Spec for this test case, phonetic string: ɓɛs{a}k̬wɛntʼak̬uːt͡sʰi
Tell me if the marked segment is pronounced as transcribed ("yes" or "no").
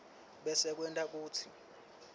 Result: no